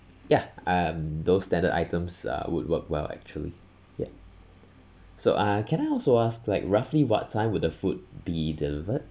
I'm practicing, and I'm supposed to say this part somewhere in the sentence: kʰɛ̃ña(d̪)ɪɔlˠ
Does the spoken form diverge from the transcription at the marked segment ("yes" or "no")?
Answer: yes